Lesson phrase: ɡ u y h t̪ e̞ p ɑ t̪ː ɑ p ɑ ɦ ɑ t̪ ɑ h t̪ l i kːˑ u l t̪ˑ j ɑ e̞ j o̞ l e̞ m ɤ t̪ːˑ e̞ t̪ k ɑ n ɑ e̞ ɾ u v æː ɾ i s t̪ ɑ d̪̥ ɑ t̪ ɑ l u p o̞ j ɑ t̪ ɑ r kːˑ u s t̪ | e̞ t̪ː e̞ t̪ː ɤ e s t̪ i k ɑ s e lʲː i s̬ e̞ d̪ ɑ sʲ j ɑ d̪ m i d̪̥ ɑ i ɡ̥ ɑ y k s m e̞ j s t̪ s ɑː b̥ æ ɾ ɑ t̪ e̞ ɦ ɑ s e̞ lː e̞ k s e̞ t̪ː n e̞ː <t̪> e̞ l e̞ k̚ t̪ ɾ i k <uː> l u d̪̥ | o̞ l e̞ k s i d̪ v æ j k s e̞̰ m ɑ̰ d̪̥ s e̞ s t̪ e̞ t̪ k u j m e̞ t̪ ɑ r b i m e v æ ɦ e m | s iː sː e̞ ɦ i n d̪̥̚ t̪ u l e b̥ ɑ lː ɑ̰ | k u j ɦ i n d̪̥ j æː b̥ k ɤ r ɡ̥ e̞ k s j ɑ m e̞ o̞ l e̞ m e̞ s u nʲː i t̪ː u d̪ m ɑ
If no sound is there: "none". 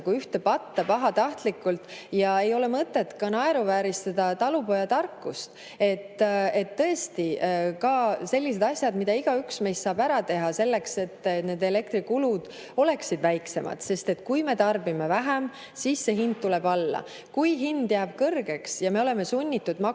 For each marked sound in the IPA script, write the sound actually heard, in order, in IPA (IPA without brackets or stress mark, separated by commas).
d̪, u